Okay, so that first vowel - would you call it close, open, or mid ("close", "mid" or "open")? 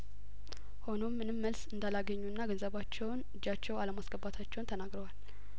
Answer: mid